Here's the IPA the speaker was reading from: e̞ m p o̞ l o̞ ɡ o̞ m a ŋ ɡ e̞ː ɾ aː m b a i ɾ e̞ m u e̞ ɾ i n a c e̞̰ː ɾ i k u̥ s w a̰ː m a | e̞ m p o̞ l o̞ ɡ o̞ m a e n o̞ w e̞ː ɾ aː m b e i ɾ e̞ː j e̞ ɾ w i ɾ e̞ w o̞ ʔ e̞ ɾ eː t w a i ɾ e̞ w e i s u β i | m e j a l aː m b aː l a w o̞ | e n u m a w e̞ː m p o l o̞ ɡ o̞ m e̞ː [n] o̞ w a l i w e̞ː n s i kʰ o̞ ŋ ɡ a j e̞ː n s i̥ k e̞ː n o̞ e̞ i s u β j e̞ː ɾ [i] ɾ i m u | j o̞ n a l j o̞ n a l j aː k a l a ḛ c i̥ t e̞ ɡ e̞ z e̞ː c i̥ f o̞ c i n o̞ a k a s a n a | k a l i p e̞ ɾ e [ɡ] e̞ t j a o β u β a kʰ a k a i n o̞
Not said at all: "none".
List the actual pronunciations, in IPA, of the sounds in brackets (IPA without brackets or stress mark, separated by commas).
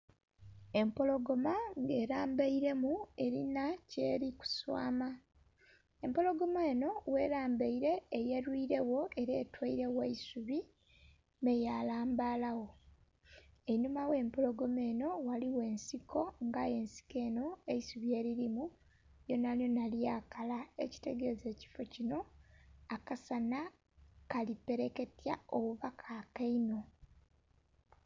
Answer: n, i, k